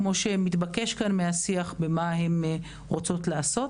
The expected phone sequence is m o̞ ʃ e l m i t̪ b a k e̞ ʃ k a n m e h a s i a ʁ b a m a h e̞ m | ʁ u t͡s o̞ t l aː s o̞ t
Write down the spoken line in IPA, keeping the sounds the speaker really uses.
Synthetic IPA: m o̞ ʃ e m i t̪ b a k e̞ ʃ k a n m e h a s i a χ b e m a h e̞ m | ʁ o t͡s o̞ t l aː s o̞ t